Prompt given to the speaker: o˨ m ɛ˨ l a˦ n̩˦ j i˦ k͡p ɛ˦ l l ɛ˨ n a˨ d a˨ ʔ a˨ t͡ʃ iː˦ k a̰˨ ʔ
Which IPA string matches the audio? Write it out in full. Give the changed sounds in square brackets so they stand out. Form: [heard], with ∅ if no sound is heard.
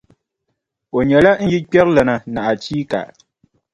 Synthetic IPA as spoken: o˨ [ɲ] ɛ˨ l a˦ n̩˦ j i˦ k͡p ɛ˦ [ɾ] l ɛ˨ n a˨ [n] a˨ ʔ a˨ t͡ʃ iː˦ k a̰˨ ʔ

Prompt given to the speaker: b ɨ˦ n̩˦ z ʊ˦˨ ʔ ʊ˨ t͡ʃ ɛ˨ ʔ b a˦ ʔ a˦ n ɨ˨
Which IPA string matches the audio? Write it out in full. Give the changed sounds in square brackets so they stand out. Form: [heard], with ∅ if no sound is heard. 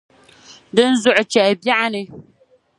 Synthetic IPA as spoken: [d] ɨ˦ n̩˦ z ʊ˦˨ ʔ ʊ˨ t͡ʃ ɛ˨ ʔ b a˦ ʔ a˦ n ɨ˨

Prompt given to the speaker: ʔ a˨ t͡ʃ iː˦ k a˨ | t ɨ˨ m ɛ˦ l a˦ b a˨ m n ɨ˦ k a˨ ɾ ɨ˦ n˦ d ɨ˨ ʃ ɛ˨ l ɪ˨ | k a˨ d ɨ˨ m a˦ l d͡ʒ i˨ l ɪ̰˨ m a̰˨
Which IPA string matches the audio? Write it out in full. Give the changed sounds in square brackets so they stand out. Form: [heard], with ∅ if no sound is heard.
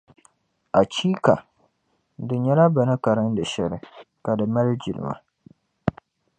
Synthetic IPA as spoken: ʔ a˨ t͡ʃ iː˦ k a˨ | [d] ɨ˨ [ɲ] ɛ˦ l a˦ b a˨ [∅] n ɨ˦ k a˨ ɾ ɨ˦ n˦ d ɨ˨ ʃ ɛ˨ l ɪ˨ | k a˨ d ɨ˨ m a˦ l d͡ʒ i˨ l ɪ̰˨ m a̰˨

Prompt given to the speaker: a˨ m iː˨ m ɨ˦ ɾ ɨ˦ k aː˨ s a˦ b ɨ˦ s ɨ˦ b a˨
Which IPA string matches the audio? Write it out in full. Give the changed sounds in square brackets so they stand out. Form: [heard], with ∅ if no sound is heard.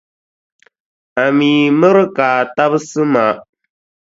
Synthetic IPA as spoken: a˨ m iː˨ m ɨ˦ ɾ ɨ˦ k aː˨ [t] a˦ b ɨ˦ s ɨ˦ [m] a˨

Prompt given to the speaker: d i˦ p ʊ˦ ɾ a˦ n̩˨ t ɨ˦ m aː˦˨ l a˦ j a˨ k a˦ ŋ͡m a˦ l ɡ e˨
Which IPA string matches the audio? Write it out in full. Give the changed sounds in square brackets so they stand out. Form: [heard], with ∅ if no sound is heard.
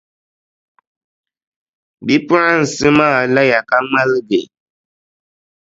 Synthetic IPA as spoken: [b] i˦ p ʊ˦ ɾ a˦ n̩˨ [s] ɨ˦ m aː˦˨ l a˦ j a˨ k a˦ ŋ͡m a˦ l ɡ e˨

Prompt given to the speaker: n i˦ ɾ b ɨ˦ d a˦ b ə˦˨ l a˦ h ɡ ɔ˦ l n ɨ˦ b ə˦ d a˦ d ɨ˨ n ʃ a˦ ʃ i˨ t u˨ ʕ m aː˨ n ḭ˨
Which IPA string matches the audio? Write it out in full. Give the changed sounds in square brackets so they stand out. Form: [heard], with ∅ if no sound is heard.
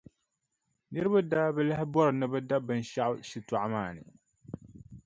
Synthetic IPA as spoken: n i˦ ɾ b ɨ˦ d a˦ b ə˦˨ l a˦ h [b] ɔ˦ [ɾ] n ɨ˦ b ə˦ d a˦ [b] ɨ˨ n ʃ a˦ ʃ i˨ t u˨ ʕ m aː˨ n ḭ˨

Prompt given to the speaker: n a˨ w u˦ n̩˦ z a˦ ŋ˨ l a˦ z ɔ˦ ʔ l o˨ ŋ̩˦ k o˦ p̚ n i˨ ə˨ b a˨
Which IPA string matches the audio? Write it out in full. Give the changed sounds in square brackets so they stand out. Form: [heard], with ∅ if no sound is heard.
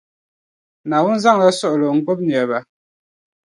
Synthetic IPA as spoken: n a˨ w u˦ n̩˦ z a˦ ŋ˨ l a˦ [s] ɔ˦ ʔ l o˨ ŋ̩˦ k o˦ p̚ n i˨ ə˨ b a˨

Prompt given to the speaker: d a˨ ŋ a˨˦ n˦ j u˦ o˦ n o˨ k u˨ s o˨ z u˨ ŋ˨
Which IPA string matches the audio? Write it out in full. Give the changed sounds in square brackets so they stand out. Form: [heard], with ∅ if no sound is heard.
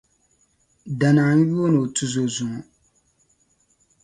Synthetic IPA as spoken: d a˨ [n] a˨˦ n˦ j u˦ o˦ n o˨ [t] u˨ [z] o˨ z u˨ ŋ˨

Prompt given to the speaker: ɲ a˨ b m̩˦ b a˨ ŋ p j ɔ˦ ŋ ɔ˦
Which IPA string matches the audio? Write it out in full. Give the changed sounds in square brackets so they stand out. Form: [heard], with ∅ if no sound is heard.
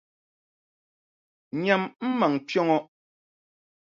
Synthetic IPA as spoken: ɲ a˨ [m] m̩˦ [m] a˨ ŋ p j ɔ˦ ŋ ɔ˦

